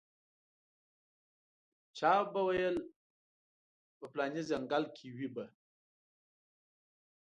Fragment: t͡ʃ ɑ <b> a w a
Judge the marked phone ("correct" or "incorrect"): correct